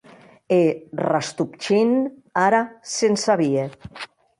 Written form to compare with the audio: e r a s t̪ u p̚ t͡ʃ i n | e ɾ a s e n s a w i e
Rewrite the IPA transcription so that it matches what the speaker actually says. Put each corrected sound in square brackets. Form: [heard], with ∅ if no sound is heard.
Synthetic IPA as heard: e r a s t̪ u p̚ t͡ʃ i n | [a] ɾ a s e n s a [β] i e